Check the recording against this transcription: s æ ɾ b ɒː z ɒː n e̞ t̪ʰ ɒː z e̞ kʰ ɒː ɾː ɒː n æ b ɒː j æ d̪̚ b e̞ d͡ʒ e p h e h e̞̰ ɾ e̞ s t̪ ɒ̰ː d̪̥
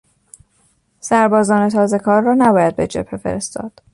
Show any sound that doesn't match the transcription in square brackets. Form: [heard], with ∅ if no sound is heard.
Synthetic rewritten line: s æ ɾ b ɒː z ɒː n e̞ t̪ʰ ɒː z e̞ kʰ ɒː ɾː ɒː n æ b ɒː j æ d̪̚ b e̞ d͡ʒ e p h e [f] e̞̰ ɾ e̞ s t̪ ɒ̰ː d̪̥